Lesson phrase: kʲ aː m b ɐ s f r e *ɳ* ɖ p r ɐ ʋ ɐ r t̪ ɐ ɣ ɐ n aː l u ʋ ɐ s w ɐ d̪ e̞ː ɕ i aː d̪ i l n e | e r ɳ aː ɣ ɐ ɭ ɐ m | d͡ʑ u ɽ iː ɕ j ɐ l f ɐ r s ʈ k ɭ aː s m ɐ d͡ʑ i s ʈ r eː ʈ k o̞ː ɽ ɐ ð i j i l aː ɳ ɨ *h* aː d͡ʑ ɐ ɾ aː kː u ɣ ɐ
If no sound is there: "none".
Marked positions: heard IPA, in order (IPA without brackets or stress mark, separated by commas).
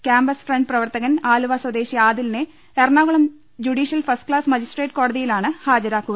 ɳ, h